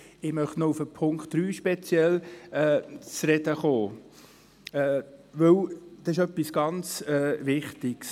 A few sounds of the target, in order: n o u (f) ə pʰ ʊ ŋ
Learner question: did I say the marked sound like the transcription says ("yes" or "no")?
yes